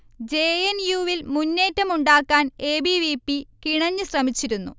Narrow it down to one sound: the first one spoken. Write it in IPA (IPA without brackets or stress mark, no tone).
d͡ʑ